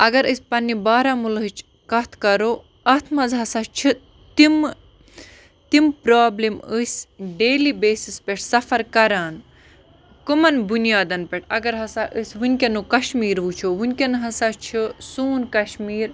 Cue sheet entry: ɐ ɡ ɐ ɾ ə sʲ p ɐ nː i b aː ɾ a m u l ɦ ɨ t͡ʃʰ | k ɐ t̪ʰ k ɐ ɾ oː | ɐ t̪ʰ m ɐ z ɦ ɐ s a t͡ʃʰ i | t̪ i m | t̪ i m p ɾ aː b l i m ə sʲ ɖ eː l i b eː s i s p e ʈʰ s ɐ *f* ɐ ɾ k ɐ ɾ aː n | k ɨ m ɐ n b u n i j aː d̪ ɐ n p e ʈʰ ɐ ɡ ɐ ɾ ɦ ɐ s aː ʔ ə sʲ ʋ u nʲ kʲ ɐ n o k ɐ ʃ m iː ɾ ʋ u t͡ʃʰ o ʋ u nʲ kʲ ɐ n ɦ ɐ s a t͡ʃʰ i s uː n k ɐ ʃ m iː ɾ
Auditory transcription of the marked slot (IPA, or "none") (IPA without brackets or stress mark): f